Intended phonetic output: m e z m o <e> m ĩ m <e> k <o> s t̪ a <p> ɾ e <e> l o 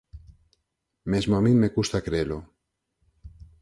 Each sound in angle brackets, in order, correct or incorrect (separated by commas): incorrect, correct, incorrect, incorrect, correct